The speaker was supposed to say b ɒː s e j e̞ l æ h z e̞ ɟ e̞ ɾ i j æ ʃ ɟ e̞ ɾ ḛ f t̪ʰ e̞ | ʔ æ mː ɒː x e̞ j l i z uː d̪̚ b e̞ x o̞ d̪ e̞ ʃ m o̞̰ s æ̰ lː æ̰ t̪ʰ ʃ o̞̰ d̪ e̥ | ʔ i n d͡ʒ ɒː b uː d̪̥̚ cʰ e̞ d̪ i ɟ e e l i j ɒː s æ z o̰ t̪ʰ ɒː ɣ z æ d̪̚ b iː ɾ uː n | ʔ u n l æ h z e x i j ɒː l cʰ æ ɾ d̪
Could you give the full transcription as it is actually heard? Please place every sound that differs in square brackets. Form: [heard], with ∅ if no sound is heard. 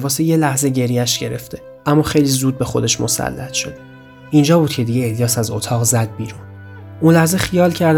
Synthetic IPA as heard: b ɒː s e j e̞ l æ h z e̞ ɟ e̞ ɾ i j æ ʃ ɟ e̞ ɾ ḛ f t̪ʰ e̞ | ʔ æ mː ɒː x e̞ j l i z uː d̪̚ b e̞ x o̞ d̪ e̞ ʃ m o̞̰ s æ̰ lː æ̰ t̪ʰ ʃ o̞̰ d̪ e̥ | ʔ i n d͡ʒ ɒː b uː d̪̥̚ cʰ e̞ d̪ i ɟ e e l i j ɒː s æ z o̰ t̪ʰ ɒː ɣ z æ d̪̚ b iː ɾ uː n | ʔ u n l æ h z e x i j ɒː l cʰ æ ɾ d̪